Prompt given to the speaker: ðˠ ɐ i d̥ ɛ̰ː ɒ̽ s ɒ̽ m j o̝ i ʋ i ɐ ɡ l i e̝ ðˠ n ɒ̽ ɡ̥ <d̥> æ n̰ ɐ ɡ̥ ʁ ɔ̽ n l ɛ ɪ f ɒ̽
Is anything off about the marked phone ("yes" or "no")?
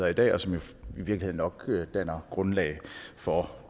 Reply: no